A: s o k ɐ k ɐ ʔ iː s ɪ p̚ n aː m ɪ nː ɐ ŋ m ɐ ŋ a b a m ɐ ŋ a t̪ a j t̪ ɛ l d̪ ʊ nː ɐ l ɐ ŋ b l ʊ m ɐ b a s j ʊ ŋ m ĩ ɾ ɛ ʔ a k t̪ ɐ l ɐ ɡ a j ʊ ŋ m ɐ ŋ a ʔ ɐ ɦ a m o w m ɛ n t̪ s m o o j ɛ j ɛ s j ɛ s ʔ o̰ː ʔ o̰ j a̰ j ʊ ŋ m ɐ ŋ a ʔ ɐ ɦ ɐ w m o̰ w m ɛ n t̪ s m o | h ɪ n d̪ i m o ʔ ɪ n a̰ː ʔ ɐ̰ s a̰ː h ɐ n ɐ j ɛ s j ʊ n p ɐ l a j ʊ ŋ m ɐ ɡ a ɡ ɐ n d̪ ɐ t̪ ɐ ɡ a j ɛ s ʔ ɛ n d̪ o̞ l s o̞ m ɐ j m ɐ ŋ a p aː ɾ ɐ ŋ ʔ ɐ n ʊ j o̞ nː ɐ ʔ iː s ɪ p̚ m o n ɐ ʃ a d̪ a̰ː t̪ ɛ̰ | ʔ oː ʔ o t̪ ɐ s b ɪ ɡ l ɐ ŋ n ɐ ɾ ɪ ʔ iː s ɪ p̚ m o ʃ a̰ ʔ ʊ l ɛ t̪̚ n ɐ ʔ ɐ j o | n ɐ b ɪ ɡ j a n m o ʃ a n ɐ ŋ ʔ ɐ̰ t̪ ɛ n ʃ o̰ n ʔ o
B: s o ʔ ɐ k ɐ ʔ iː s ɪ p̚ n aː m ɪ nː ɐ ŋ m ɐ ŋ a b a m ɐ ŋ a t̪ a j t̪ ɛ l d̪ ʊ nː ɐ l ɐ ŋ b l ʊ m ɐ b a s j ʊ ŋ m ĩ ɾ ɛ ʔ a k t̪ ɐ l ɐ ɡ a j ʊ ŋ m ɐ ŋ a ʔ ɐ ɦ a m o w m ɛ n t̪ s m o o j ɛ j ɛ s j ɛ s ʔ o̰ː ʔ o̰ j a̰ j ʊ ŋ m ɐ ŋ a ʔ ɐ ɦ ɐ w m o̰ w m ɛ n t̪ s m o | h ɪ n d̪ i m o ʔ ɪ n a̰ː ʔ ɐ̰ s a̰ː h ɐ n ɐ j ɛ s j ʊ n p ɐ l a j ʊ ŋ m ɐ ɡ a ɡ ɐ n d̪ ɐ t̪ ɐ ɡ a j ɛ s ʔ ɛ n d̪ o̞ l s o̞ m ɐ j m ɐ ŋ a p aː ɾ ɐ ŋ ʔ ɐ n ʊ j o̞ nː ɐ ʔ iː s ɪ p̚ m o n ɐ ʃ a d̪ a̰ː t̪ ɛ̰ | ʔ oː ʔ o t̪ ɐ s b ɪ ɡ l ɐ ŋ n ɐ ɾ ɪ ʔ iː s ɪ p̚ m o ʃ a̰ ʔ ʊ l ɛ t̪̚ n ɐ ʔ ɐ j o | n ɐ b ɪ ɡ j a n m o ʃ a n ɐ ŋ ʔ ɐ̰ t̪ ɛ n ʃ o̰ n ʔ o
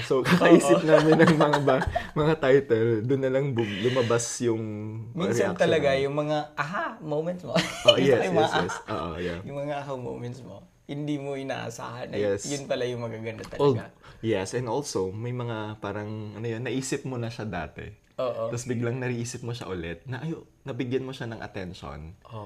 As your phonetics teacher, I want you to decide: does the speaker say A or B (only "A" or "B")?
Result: A